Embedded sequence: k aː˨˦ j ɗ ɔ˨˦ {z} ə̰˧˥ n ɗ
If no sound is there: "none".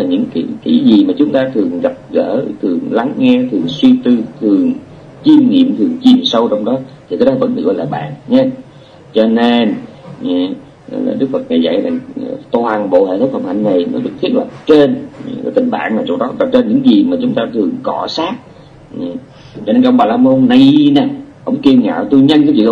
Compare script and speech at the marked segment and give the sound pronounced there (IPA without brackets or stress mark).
v